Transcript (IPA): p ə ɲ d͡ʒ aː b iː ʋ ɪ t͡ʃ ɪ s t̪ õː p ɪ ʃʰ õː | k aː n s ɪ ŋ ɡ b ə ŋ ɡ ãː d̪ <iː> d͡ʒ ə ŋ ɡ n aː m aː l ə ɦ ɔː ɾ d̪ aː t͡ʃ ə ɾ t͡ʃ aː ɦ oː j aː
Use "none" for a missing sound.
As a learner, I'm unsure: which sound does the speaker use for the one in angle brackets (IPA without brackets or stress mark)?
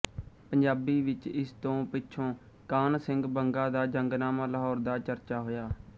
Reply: aː